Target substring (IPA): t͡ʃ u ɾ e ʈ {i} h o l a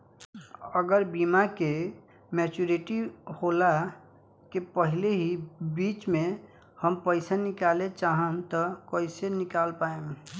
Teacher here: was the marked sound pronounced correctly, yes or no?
yes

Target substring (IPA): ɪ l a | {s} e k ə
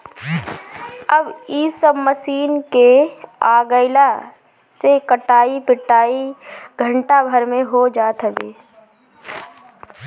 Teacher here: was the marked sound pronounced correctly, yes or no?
yes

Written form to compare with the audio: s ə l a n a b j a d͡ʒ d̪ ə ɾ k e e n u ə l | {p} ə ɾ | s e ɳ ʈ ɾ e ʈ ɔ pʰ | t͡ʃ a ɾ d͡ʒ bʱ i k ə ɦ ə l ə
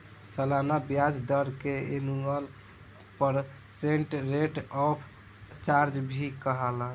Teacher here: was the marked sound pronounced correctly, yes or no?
yes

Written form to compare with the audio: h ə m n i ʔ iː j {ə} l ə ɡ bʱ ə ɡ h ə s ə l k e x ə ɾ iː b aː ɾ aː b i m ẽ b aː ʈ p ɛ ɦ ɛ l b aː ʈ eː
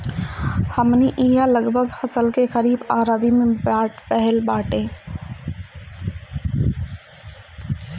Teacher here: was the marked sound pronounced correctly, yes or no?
no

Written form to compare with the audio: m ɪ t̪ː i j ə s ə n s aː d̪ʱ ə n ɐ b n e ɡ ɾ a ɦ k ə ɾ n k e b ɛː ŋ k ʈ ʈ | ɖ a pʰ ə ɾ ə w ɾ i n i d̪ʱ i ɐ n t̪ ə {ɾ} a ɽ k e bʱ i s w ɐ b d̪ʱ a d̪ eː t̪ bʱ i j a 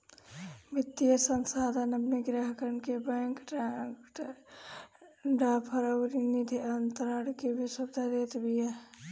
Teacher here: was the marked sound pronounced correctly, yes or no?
yes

